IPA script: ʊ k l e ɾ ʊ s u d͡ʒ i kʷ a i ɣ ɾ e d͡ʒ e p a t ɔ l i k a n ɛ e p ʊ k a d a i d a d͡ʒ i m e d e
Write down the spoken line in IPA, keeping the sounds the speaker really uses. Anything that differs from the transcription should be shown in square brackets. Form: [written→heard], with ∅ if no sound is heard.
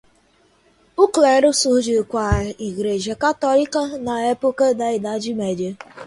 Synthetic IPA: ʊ k l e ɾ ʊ s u d͡ʒ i kʷ a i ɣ ɾ e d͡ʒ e [p→k] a t ɔ l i k a n [ɛ→a] e p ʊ k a d a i d a d͡ʒ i m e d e